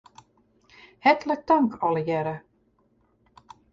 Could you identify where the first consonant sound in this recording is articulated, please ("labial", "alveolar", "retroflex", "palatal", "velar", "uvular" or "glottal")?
glottal